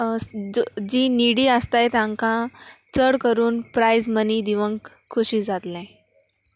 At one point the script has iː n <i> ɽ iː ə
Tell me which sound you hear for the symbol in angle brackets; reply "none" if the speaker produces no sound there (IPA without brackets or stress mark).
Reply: i